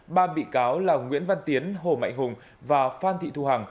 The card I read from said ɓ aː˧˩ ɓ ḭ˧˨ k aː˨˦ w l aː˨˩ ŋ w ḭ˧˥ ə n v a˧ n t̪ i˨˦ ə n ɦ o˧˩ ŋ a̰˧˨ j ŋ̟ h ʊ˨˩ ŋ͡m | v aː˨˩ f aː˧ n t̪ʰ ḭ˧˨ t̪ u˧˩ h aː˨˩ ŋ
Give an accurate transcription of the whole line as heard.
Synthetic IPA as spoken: ɓ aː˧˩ ɓ ḭ˧˨ k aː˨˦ w l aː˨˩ ŋ w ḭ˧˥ ə n v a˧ n t̪ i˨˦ ə n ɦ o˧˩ m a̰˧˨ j ŋ̟ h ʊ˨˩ ŋ͡m | v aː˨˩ f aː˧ n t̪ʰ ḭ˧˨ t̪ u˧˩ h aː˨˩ ŋ